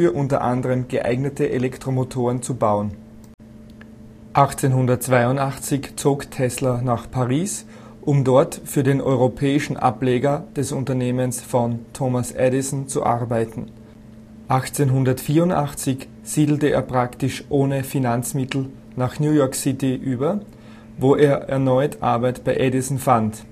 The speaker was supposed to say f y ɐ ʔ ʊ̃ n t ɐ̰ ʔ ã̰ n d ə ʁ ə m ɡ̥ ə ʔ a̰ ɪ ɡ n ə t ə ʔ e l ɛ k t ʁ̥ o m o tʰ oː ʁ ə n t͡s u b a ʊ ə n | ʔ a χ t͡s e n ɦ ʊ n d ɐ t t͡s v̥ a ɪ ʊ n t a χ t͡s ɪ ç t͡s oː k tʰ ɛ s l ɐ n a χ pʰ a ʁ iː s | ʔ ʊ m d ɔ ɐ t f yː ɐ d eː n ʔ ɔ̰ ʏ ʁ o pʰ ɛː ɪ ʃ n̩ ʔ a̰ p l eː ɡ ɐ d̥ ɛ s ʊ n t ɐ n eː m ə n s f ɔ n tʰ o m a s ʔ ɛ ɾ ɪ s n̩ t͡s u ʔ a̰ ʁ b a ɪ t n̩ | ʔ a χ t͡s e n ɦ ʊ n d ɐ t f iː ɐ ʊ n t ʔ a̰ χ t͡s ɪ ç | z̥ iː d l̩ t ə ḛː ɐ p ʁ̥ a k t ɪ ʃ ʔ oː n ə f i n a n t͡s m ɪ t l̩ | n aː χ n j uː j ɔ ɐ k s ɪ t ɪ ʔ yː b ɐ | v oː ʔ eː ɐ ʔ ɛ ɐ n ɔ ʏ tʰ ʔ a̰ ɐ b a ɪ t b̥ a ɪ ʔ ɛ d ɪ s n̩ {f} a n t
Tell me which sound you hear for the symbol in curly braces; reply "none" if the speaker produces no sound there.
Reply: f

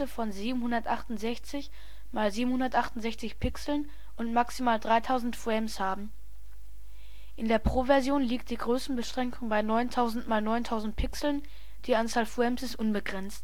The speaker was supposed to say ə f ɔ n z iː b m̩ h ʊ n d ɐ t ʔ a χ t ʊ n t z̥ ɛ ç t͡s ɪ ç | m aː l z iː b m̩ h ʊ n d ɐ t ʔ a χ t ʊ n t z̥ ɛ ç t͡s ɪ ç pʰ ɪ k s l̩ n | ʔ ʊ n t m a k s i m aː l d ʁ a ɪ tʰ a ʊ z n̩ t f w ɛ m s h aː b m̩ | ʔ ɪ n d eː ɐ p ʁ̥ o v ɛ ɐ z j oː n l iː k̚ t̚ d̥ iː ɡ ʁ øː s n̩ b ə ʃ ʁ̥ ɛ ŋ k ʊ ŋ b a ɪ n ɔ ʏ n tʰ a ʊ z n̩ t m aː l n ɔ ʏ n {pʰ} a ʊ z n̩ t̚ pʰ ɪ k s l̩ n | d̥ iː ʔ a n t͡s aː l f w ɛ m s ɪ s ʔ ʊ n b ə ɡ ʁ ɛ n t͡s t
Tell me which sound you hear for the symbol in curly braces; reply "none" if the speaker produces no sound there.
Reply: tʰ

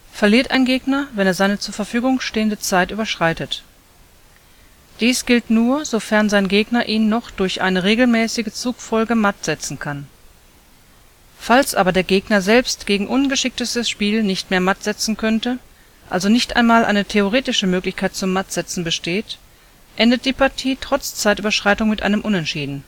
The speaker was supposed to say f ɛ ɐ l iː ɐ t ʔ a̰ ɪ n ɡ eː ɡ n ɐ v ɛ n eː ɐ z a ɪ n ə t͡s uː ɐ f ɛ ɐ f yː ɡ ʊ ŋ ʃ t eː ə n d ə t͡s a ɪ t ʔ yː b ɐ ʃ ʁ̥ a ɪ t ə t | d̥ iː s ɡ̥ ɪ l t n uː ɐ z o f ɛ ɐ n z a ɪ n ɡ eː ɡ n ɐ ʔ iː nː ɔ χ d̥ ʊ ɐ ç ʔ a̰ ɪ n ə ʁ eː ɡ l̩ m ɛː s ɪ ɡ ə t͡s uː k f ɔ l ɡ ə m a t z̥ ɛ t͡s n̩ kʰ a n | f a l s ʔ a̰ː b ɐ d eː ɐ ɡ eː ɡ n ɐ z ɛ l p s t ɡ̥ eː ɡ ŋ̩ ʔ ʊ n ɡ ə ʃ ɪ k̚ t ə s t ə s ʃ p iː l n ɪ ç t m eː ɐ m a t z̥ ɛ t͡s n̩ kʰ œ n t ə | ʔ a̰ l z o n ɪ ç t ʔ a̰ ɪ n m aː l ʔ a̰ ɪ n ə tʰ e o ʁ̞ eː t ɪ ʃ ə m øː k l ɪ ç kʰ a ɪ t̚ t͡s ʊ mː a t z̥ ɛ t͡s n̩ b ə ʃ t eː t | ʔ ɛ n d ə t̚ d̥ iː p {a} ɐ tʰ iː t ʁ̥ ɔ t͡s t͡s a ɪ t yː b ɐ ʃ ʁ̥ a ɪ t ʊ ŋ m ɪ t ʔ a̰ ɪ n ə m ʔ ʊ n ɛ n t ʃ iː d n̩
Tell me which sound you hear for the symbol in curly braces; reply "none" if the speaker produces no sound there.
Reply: a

